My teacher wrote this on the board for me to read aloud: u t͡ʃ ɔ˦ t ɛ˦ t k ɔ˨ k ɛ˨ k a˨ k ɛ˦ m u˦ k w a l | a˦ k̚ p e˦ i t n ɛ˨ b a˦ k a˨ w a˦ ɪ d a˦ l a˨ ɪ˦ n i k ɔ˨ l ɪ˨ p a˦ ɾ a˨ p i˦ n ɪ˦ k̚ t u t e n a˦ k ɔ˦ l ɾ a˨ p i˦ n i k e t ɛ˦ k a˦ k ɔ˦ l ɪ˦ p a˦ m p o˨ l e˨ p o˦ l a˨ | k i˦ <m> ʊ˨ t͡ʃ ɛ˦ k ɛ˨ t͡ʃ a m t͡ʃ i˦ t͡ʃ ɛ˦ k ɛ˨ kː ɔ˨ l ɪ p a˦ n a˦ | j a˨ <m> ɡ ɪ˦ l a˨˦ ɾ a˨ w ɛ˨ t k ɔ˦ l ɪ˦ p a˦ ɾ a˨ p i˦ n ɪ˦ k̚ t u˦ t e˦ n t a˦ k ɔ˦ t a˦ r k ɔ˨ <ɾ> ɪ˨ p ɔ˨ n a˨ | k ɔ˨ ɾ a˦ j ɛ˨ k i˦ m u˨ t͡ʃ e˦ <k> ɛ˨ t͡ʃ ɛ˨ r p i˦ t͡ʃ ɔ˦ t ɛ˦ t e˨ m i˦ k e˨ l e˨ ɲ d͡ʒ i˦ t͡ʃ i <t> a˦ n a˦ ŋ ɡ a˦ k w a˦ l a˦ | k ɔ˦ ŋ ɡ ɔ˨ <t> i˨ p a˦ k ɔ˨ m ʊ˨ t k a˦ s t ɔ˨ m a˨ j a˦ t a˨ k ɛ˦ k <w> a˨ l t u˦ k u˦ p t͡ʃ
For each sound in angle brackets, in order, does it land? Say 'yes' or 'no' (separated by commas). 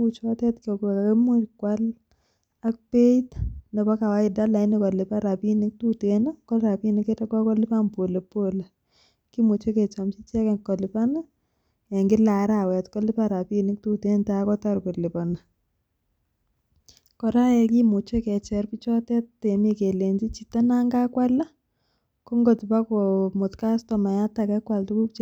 yes, no, no, yes, yes, yes, yes